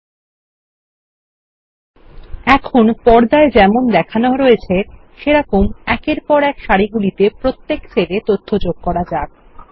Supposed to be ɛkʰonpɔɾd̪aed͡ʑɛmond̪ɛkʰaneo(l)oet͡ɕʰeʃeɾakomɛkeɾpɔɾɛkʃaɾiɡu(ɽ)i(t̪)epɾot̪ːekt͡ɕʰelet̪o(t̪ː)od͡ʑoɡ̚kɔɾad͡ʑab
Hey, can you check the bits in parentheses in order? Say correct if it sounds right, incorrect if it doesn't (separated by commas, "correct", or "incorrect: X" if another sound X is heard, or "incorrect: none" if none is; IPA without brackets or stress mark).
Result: incorrect: ɾ, incorrect: l, correct, incorrect: t̪ʰː